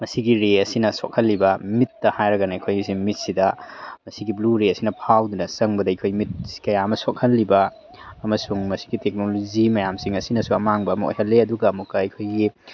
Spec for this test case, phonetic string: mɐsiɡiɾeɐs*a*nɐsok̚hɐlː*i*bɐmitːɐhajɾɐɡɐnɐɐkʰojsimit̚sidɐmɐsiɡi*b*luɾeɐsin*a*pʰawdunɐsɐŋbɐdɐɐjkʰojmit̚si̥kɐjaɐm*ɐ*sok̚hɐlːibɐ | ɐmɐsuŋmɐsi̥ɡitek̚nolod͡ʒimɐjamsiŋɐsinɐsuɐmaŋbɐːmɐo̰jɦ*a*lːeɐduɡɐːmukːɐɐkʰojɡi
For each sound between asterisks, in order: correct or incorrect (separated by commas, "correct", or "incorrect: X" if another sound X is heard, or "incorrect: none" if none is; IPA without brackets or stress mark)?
incorrect: i, correct, correct, incorrect: ɐ, correct, incorrect: ɐ